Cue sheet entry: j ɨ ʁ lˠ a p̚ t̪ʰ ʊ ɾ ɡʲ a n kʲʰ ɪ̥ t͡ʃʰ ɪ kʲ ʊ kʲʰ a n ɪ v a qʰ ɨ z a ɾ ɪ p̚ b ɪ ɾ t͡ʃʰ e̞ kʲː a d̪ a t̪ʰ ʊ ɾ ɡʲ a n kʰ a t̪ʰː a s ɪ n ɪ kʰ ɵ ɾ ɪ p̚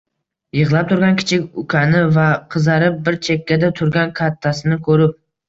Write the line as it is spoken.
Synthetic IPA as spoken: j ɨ ʁ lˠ a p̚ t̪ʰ ʊ ɾ ɡʲ a n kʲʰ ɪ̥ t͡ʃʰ ɪ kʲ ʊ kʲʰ a n ɪ v a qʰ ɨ z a ɾ ɪ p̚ b ɪ ɾ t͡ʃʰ e̞ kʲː a d̪ a t̪ʰ ʊ ɾ ɡʲ a n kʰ a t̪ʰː a s ɪ n ɪ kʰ ɵ ɾ ɪ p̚

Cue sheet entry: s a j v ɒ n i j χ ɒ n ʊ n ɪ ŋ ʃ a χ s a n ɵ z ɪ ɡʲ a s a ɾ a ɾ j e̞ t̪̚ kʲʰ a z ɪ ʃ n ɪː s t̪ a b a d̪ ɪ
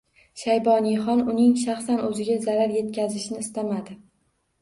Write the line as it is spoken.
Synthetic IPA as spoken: ʃ a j b ɒ n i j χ ɒ n ʊ n ɪ ŋ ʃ a χ s a n ɵ z ɪ ɡʲ a z a ɾ a ɾ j e̞ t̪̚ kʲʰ a z ɪ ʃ n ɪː s t̪ a m a d̪ ɪ

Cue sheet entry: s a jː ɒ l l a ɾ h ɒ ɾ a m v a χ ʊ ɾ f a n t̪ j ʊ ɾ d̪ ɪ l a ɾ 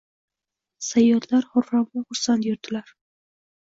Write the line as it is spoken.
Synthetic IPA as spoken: s a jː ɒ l l a ɾ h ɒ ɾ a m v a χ ʊ ɾ s a n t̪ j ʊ ɾ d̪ ɪ l a ɾ

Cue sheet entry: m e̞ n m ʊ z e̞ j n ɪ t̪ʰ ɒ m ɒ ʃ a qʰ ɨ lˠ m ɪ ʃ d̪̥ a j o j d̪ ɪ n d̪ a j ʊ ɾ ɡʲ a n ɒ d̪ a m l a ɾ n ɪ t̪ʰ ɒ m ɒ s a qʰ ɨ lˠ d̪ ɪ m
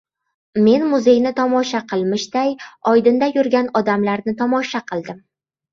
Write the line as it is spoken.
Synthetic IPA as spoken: m e̞ n m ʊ z e̞ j n ɪ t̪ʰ ɒ m ɒ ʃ a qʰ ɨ lˠ m ɪ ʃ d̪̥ a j ɒ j d̪ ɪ n d̪ a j ʊ ɾ ɡʲ a n ɒ d̪ a m l a ɾ n ɪ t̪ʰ ɒ m ɒ ʃ a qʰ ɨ lˠ d̪ ɪ m

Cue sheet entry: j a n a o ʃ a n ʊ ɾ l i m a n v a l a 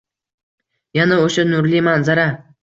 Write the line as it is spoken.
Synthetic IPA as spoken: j a n a o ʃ a n ʊ ɾ l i m a n z a ɾ a

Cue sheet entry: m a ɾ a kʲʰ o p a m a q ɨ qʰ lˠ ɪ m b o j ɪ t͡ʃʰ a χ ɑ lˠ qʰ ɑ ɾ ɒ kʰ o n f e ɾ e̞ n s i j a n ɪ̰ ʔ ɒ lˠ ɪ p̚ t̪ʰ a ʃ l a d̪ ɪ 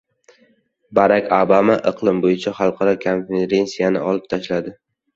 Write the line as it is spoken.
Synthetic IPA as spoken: b a ɾ a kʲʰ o b a m a ʔ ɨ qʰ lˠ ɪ m b o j ɪ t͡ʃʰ a χ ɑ lˠ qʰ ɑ ɾ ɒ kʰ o n f e ɾ e̞ n s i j a n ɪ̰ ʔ ɒ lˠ ɪ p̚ t̪ʰ a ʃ l a d̪ ɪ

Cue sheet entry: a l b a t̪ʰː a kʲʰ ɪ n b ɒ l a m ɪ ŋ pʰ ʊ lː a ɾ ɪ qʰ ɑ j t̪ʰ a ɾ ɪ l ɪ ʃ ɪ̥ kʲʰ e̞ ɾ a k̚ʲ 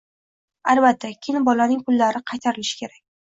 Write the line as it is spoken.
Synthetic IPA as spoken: a l b a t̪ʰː a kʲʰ ɪ n b ɒ l a n ɪ ŋ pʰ ʊ lː a ɾ ɪ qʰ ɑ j t̪ʰ a ɾ ɪ l ɪ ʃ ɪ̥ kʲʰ e̞ ɾ a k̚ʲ

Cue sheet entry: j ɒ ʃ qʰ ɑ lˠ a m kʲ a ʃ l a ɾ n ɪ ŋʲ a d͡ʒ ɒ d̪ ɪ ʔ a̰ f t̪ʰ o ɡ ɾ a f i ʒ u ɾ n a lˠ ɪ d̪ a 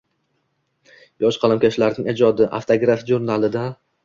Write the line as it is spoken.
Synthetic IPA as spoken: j ɒ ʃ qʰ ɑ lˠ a m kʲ a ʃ l a ɾ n ɪ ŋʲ e d͡ʒ ɒ d̪ ɪ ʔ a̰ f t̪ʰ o ɡ ɾ a f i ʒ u ɾ n a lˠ ɪ d̪ a

